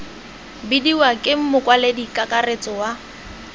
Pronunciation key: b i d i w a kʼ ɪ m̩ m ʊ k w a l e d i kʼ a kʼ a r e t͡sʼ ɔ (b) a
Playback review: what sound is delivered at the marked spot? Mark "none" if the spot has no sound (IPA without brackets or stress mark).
w